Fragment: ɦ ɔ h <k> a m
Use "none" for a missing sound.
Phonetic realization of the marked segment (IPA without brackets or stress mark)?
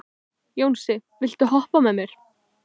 p